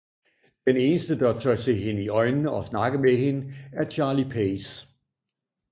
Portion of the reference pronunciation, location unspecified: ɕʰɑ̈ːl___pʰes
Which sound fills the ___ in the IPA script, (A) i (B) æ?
A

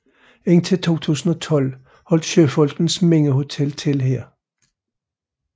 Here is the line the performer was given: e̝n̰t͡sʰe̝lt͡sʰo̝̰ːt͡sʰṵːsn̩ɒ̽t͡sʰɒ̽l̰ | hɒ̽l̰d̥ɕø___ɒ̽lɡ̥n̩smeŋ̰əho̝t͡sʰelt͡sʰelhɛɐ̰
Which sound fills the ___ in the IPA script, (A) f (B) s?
A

